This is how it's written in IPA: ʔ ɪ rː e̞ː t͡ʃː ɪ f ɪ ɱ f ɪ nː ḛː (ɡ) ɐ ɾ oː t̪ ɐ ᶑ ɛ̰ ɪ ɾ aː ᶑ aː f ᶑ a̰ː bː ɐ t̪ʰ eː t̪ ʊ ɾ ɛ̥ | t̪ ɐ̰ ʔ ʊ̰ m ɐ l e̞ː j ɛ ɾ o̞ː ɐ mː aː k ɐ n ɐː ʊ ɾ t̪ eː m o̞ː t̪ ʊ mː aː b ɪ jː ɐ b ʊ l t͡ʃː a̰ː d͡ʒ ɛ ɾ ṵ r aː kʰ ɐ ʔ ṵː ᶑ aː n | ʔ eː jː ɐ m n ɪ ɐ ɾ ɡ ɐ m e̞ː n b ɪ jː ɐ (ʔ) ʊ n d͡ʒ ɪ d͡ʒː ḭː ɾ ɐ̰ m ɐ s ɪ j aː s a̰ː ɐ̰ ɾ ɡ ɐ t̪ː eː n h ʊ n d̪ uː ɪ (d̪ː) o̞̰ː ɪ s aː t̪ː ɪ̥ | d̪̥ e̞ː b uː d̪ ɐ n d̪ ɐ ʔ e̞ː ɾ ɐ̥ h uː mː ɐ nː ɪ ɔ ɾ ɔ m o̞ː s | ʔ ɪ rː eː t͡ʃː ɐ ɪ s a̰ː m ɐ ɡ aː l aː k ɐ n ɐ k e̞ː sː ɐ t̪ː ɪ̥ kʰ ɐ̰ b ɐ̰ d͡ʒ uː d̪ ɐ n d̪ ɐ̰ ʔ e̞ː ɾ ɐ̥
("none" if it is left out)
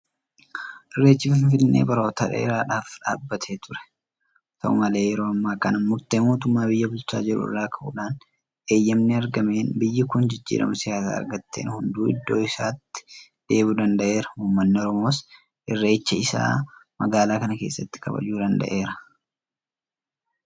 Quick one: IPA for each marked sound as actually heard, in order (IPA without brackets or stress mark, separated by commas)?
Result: b, k, d̪ː